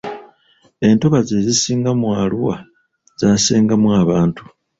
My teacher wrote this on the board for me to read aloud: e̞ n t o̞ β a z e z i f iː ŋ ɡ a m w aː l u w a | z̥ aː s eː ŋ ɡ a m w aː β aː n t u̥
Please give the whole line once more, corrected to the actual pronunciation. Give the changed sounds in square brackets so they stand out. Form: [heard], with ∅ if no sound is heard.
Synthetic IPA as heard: e̞ n t o̞ β a z e z i [s] iː ŋ ɡ a m w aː l u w a | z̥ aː s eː ŋ ɡ a m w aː β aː n t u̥